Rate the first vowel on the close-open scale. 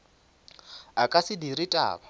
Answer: open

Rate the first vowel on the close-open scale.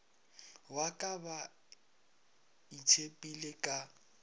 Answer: open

